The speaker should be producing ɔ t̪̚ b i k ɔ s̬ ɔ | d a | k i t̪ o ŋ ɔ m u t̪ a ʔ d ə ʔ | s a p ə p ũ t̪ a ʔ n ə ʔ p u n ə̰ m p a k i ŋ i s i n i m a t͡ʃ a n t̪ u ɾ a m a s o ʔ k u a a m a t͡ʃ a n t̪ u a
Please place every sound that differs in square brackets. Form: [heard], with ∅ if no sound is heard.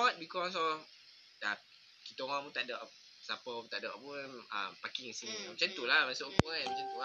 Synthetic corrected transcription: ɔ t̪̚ b i k ɔ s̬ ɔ | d a | k i t̪ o ŋ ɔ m u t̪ a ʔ d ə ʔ | s a p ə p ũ t̪ a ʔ [d] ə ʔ p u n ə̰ m p a k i ŋ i s i n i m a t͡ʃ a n t̪ u [l] a m a s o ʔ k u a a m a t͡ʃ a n t̪ u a